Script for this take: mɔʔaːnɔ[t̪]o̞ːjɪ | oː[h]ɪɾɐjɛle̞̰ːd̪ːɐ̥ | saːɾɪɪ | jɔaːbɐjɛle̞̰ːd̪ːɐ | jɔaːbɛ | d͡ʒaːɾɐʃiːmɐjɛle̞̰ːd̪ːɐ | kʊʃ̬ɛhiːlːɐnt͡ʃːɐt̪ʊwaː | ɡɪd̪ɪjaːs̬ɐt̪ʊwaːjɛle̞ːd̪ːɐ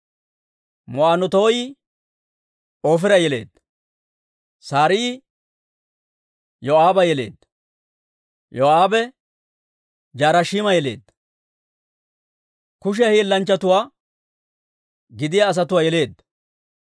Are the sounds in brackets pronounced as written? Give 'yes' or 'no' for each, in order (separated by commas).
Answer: yes, no